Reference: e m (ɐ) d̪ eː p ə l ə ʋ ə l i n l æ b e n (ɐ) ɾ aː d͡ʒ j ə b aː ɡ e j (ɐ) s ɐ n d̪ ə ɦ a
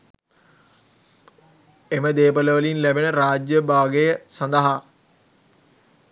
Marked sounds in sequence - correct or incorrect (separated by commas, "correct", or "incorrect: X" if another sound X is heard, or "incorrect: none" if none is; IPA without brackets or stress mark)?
incorrect: ə, incorrect: ə, incorrect: ə